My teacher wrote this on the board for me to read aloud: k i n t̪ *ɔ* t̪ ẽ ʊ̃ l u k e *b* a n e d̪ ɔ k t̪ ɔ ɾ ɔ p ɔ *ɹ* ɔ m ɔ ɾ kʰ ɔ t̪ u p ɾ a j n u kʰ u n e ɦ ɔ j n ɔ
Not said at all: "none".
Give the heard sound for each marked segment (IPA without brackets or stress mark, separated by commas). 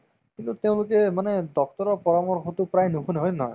u, m, ɾ